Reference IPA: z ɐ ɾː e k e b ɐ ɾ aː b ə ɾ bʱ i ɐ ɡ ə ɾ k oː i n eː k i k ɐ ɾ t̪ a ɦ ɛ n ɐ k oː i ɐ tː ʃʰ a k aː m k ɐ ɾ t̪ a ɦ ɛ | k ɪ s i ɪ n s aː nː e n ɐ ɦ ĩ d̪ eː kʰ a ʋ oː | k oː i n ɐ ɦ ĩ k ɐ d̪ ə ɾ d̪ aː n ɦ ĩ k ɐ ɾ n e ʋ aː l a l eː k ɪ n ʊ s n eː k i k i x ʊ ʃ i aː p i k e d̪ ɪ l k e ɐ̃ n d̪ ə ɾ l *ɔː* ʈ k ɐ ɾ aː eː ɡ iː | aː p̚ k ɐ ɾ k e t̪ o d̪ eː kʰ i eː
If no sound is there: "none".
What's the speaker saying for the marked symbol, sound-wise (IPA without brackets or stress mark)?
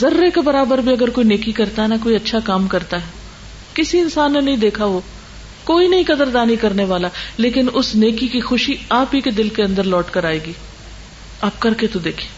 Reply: ɔː